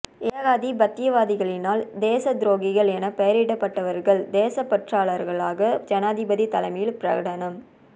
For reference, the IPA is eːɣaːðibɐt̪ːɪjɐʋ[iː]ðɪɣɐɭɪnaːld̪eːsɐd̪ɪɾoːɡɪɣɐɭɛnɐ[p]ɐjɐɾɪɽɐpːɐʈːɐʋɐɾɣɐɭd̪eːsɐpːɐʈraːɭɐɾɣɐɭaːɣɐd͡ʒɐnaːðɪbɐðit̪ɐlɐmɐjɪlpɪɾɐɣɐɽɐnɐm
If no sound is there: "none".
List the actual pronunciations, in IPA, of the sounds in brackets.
aː, p

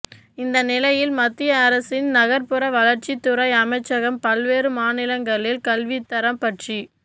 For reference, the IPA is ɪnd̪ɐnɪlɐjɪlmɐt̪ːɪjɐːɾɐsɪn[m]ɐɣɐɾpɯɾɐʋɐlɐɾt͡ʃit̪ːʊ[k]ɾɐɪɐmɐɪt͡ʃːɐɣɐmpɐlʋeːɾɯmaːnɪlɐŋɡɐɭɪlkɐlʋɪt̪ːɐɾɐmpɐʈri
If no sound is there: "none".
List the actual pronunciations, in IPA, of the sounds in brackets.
n, none

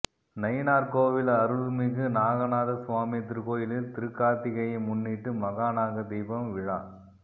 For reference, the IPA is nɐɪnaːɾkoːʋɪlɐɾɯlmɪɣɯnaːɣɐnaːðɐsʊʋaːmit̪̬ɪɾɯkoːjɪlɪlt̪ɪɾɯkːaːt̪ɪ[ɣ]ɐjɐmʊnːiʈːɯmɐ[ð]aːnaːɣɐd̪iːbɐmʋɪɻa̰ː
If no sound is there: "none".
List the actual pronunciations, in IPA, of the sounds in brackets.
ɣ, ɣ

